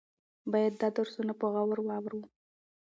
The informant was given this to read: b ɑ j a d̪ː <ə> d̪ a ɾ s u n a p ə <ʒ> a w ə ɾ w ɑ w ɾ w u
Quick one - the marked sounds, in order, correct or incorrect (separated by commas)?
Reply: incorrect, incorrect